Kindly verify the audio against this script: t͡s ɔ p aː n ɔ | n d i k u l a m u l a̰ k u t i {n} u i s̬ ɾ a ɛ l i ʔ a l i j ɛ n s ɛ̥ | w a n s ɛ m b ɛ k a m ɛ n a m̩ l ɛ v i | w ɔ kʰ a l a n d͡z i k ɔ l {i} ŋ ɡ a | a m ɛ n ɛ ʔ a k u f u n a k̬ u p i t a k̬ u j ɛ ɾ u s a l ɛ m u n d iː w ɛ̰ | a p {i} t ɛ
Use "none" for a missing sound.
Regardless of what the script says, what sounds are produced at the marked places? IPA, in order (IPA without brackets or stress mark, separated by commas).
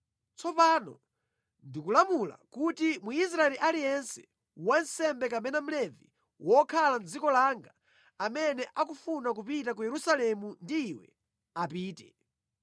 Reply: m, a, iː